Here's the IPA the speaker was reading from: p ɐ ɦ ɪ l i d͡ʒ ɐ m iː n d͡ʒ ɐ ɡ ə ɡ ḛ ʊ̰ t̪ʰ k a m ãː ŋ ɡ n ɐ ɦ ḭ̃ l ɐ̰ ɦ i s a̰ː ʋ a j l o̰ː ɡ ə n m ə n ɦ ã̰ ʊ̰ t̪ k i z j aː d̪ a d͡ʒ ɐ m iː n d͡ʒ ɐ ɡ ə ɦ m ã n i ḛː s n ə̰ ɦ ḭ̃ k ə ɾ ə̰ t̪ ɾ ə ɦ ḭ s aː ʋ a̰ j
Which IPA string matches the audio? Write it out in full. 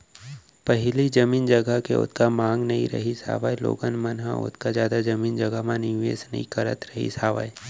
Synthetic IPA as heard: p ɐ ɦ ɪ l i d͡ʒ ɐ m iː n d͡ʒ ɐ ɡ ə k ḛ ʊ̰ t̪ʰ k a m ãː ŋ ɡ n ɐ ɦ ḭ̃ ɾ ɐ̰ ɦ i s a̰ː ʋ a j l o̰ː ɡ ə n m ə n ɦ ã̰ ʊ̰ t̪ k a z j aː d̪ a d͡ʒ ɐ m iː n d͡ʒ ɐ ɡ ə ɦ m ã n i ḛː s n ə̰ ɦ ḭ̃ k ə ɾ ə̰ t̪ ɾ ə ɦ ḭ s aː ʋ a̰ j